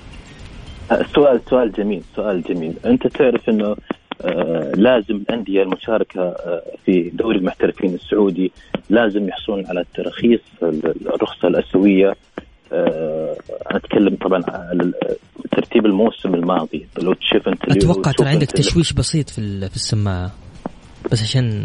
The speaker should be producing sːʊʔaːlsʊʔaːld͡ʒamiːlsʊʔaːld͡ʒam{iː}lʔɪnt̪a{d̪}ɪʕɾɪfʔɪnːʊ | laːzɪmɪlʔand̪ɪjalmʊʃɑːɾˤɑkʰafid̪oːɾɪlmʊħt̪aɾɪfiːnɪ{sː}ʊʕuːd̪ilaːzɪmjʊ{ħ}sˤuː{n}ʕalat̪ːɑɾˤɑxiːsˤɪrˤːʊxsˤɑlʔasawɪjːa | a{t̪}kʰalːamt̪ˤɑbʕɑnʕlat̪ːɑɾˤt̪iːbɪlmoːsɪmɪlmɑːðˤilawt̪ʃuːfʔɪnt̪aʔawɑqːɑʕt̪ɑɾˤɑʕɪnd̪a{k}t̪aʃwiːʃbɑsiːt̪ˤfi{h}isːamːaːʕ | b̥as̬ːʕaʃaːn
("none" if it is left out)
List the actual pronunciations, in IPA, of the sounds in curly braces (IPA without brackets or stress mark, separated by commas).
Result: iː, t̪, sː, ħ, n, t̪, k, f